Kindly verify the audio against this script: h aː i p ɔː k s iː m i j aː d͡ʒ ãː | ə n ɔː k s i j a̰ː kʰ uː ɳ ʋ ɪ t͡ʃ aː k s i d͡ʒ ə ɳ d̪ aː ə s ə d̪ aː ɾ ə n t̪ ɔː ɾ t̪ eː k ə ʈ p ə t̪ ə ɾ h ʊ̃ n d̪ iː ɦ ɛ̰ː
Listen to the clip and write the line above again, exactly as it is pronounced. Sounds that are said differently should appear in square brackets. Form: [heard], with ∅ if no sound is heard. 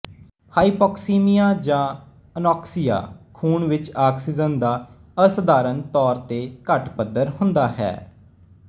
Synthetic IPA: h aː i p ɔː k s iː m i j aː d͡ʒ ãː | ə n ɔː k s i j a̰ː kʰ uː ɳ ʋ ɪ t͡ʃ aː k s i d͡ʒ ə [n] d̪ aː ə s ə d̪ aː ɾ ə n t̪ ɔː ɾ t̪ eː k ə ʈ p ə [d̪] ə ɾ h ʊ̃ n d̪ [aː] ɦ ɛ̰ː

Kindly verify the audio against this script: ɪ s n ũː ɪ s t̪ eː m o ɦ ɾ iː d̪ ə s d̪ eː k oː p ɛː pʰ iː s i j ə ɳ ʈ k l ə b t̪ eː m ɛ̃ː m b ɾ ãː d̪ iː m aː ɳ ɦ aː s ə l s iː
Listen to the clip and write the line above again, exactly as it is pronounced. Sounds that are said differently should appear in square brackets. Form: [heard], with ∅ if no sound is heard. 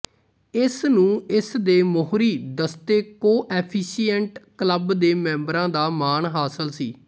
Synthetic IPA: ɪ s n ũː ɪ s [d̪] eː m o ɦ ɾ iː d̪ ə s [t̪] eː k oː [ʔ] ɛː pʰ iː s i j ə ɳ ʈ k l ə b [d̪] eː m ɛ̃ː m b ɾ ãː d̪ [aː] m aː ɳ ɦ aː s ə l s iː

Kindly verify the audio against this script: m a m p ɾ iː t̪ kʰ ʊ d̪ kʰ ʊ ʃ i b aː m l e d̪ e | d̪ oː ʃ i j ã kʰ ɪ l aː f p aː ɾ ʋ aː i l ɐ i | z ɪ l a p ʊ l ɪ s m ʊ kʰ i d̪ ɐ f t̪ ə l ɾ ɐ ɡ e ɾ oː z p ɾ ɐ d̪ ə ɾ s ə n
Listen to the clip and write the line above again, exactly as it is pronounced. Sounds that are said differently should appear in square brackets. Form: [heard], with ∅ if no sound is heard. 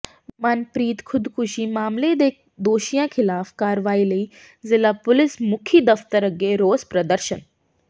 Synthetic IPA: m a [n] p ɾ iː t̪ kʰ ʊ d̪ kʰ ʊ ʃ i [m] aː m l e d̪ e | d̪ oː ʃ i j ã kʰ ɪ l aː f [k] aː ɾ ʋ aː i l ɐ i | z ɪ l a p ʊ l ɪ s m ʊ kʰ i d̪ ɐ f t̪ ə [∅] ɾ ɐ ɡ e ɾ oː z p ɾ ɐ d̪ ə ɾ [ʃ] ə n

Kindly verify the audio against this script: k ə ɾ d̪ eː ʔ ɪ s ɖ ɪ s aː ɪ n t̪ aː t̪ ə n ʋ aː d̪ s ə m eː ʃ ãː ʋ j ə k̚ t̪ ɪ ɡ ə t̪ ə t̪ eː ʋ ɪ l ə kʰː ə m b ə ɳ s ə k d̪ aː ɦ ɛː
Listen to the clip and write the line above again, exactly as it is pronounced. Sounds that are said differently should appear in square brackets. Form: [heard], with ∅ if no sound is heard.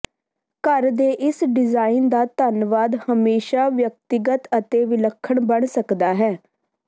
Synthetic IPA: k ə ɾ d̪ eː ʔ ɪ s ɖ ɪ [z] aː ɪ n [d̪] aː t̪ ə n ʋ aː d̪ [h] ə m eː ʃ [aː] ʋ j ə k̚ t̪ ɪ ɡ ə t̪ ə t̪ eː ʋ ɪ l ə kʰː ə [ɳ] b ə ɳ s ə k d̪ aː ɦ ɛː

